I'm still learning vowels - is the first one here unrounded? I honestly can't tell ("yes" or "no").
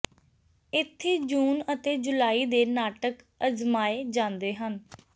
yes